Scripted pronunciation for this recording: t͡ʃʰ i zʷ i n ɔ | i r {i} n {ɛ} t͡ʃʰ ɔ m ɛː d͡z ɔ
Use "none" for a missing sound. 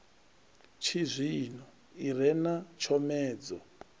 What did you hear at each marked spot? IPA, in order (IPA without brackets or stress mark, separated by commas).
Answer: ɛ, a